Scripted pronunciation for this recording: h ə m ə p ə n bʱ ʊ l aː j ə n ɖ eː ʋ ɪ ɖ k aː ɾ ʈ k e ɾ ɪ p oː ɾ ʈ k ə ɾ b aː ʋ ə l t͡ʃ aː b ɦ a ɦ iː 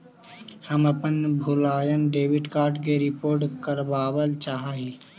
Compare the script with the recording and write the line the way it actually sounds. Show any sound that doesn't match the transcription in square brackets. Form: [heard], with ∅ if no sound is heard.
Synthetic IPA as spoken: h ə m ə p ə n bʱ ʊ l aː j ə n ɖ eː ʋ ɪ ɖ k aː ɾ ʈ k e ɾ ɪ p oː ɾ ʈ k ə ɾ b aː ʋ ə l t͡ʃ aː [∅] ɦ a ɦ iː

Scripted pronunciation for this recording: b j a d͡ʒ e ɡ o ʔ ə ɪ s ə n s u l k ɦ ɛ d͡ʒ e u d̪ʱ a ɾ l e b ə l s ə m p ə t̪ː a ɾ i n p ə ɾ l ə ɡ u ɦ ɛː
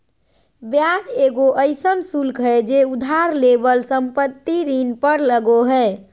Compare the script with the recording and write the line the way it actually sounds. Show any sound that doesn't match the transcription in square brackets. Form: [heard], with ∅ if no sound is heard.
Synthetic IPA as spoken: b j a d͡ʒ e ɡ o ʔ ə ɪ s ə n s u l k ɦ ɛ d͡ʒ e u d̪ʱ a ɾ l e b ə l s ə m p ə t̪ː [i] ɾ i n p ə ɾ l ə ɡ [o] ɦ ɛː

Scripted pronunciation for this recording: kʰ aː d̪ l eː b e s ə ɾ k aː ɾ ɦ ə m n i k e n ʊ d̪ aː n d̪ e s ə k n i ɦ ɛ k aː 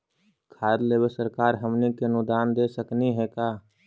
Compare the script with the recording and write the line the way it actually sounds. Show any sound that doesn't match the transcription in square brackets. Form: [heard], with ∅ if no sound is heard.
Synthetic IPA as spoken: kʰ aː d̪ l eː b e s ə ɾ k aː ɾ ɦ ə m n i k e n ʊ d̪ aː n d̪ e s ə k n i ɦ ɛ k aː

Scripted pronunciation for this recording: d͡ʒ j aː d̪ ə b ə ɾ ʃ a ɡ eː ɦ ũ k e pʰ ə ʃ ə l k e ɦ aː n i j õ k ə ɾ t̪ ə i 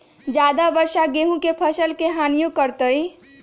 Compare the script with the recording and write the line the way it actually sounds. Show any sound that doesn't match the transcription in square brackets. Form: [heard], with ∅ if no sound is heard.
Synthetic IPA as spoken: d͡ʒ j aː d̪ [a] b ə ɾ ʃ a ɡ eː ɦ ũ k e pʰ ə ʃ ə l k e ɦ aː n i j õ k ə ɾ t̪ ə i

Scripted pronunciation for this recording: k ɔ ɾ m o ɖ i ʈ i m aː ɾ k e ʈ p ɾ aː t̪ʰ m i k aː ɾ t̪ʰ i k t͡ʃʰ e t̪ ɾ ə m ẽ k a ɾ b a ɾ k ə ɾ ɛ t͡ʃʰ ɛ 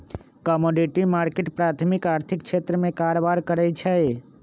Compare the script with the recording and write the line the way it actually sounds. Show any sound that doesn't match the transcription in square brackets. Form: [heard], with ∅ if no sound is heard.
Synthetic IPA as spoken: k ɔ [∅] m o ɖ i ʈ i m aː ɾ k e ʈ p ɾ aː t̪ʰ m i k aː ɾ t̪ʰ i k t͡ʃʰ e t̪ ɾ ə m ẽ k a ɾ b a ɾ k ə ɾ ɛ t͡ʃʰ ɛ

